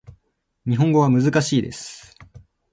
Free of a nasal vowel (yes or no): no